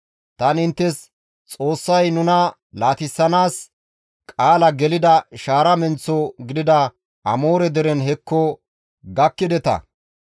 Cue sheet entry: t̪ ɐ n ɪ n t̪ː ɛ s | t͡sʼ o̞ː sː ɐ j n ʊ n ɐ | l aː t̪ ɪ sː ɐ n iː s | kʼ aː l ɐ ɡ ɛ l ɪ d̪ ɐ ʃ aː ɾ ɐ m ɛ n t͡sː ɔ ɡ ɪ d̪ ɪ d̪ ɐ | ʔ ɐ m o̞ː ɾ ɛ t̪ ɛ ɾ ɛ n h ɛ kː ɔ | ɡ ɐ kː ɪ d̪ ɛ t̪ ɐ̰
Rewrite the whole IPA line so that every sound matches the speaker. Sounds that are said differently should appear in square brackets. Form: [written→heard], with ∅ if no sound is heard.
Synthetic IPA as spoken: t̪ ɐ n ɪ n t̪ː ɛ s | t͡sʼ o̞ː sː ɐ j n ʊ n ɐ | l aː t̪ ɪ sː ɐ n [iː→aː] s | kʼ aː l ɐ ɡ ɛ l ɪ d̪ ɐ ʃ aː ɾ ɐ m ɛ n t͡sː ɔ ɡ ɪ d̪ ɪ d̪ ɐ | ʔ ɐ m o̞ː ɾ ɛ [t̪→d̪] ɛ ɾ ɛ n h ɛ kː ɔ | ɡ ɐ kː ɪ d̪ ɛ t̪ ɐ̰